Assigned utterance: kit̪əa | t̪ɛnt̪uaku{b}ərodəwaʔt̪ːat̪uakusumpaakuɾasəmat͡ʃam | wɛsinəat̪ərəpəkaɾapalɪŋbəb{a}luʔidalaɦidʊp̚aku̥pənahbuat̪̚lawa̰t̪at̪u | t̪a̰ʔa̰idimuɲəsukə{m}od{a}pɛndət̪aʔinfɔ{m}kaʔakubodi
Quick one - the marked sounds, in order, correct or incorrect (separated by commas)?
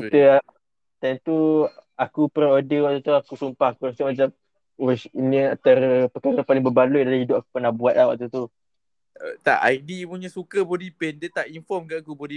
incorrect, correct, incorrect, incorrect, correct